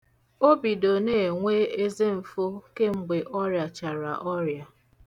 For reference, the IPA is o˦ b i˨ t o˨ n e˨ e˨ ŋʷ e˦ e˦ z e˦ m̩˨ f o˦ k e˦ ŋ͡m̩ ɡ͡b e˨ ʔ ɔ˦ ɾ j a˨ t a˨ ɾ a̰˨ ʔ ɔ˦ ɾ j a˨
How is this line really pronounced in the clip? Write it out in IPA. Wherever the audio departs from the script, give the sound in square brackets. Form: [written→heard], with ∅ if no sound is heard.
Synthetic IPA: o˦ b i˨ [t→d] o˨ n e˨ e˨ ŋʷ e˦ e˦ z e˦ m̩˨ f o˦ k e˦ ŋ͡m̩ ɡ͡b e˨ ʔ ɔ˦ ɾ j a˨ [t→t͡ʃ] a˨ ɾ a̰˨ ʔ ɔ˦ ɾ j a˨

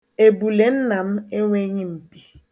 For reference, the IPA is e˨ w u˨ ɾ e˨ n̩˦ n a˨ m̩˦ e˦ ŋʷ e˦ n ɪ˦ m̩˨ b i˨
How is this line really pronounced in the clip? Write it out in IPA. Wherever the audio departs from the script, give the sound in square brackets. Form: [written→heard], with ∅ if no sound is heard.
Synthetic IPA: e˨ [w→b] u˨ [ɾ→l] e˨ n̩˦ n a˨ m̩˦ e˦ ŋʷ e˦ [n→ɲ] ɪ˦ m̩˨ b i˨

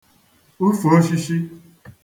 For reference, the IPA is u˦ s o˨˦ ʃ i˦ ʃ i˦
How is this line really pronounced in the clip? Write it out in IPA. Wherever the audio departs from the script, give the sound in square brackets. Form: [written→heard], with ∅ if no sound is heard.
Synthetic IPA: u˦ [s→f] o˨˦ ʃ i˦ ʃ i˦

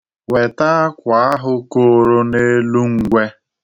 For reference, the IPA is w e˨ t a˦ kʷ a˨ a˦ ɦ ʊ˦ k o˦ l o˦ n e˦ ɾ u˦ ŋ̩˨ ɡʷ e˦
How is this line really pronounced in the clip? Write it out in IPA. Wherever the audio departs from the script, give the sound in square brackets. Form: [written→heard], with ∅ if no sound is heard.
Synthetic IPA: w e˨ t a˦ kʷ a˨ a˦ ɦ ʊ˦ k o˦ [l→ɾ] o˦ n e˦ [ɾ→l] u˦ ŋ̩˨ ɡʷ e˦

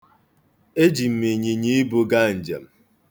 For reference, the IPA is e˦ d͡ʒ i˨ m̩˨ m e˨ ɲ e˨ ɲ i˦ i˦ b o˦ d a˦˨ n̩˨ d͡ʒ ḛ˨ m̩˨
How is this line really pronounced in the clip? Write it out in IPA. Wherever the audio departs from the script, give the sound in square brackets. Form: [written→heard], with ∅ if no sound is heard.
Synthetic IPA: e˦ d͡ʒ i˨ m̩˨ m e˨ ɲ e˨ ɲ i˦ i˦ b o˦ [d→ɡ] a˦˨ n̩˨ d͡ʒ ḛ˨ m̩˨

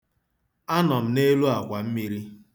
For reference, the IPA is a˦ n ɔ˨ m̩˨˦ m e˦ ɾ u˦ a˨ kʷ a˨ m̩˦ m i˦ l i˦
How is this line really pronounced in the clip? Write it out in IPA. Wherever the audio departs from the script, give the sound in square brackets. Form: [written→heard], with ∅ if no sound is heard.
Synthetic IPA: a˦ n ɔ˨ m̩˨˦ [m→n] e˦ [ɾ→l] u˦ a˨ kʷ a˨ m̩˦ m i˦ [l→ɾ] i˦

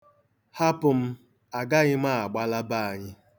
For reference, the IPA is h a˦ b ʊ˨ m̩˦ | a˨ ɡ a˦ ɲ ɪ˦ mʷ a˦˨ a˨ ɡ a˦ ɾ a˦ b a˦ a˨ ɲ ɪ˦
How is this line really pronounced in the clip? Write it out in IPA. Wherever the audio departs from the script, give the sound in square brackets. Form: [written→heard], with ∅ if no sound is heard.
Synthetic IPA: h a˦ [b→p] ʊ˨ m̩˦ | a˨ ɡ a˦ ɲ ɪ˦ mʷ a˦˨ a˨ [ɡ→ɡ͡b] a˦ [ɾ→l] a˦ b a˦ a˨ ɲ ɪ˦

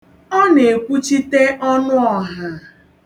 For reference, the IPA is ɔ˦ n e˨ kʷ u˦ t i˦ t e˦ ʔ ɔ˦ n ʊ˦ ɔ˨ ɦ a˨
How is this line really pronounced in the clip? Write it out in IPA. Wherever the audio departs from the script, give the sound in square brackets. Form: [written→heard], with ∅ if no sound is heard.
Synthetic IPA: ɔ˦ n e˨ kʷ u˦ [t→t͡ʃ] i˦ t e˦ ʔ ɔ˦ n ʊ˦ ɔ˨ ɦ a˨

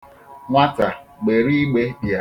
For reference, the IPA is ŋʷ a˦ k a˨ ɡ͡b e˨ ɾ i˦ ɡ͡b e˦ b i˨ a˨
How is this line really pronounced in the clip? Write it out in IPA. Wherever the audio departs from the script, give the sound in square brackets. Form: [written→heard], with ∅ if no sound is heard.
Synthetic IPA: ŋʷ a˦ [k→t] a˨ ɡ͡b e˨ ɾ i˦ ɡ͡b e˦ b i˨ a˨

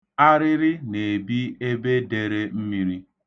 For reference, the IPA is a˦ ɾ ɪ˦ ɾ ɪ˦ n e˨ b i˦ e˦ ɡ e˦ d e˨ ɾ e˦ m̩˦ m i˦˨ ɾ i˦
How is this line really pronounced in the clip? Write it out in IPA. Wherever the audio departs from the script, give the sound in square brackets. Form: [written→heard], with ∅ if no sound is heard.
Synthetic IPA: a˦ ɾ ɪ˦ ɾ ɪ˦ n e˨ b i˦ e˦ [ɡ→b] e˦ d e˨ ɾ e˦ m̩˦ m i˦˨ ɾ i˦

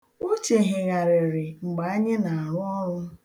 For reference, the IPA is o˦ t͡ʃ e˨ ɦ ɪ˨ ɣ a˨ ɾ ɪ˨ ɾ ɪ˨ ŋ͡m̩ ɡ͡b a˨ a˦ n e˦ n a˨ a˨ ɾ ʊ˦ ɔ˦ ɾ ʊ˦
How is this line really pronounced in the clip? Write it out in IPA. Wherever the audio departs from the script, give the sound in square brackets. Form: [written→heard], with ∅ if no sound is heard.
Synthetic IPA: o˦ t͡ʃ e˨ ɦ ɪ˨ ɣ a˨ ɾ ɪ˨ ɾ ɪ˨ ŋ͡m̩ ɡ͡b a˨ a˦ [n→ɲ] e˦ n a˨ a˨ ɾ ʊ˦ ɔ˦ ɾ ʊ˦

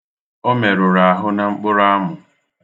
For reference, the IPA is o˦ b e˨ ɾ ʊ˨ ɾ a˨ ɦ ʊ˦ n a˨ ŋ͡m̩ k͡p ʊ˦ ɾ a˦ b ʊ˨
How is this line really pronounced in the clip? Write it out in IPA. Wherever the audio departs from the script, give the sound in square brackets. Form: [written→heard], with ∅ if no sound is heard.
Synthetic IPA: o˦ [b→m] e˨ ɾ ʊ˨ ɾ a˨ ɦ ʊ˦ n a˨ ŋ͡m̩ k͡p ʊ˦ ɾ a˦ [b→m] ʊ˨

